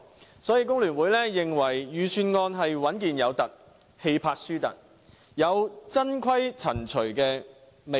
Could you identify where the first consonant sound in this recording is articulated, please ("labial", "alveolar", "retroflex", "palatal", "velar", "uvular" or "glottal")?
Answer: alveolar